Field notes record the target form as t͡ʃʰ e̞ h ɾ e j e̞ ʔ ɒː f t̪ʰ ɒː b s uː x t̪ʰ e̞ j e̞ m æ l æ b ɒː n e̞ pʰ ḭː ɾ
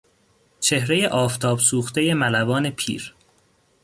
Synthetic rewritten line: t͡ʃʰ e̞ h ɾ e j e̞ ʔ ɒː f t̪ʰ ɒː b s uː x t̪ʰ e̞ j e̞ m æ l æ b ɒː n e̞ pʰ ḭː ɾ